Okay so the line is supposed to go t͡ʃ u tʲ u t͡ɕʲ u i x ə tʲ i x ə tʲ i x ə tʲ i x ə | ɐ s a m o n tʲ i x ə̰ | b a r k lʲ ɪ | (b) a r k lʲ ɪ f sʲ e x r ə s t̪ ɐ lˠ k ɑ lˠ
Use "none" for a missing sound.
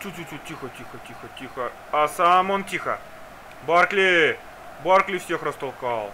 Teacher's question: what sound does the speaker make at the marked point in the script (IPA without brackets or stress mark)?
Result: b